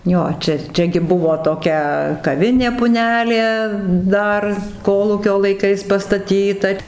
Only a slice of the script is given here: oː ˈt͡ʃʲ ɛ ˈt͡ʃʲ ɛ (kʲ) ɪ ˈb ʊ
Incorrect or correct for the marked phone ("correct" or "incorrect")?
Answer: incorrect